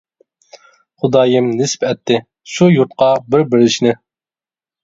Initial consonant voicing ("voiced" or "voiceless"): voiceless